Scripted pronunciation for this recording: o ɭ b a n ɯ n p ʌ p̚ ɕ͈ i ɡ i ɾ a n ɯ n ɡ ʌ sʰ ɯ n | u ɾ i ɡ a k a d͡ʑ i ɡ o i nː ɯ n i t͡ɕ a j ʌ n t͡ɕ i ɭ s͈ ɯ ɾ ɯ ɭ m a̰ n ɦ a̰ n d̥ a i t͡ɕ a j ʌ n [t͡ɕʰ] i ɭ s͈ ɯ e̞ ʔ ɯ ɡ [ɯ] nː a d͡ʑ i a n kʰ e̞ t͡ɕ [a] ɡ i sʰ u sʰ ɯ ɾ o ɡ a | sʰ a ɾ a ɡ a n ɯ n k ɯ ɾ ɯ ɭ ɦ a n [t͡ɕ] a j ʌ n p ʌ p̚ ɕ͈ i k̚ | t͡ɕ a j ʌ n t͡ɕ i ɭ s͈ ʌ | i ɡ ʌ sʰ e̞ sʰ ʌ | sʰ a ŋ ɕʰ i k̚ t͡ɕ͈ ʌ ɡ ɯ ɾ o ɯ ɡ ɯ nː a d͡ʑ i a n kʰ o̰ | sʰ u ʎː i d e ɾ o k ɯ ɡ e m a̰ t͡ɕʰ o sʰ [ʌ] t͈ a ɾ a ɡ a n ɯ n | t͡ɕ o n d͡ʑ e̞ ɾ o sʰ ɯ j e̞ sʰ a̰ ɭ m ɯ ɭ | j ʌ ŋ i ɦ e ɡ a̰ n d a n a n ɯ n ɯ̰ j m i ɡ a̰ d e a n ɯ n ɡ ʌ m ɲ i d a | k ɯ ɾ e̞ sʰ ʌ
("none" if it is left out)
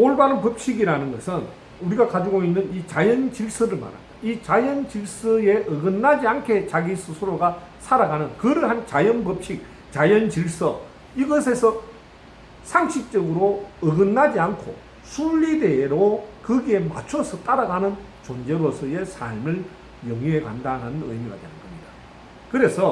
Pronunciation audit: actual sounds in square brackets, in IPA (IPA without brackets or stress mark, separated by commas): t͡ɕ, ɯ, a, t͡ɕ, ʌ